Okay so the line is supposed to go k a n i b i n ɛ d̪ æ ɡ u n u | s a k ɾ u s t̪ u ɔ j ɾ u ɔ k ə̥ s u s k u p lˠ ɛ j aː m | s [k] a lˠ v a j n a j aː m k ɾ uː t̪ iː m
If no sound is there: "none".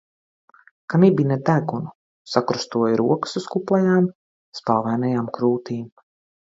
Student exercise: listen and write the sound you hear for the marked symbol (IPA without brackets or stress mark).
p